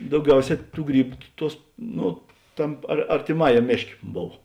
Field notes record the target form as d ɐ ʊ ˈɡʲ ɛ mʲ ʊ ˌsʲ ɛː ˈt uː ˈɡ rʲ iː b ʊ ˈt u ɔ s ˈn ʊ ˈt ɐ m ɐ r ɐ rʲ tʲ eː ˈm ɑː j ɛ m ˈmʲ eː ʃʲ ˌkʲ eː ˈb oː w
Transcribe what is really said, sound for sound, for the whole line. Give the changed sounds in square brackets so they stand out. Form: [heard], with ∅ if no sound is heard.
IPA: d ɐ ʊ ˈɡʲ ɛ [∅] ʊ ˌsʲ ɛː ˈt uː ˈɡ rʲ iː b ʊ ˈt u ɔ s ˈn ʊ ˈt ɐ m ɐ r ɐ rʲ tʲ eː ˈm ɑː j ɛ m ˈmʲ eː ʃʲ ˌkʲ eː ˈb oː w